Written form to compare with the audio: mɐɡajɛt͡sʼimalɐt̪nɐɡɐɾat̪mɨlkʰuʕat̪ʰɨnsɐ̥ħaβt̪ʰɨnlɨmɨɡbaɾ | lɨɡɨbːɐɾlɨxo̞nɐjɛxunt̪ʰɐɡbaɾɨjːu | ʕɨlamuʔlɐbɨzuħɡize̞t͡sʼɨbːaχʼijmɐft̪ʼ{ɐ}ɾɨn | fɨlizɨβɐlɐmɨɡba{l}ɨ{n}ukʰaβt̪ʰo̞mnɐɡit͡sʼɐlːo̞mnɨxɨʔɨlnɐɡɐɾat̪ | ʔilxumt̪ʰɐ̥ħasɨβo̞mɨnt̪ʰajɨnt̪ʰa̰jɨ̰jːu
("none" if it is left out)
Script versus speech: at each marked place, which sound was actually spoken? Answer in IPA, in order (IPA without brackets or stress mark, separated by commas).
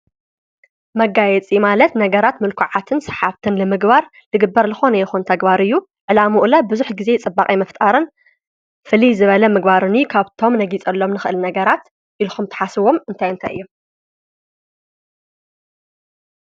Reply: a, ɾ, n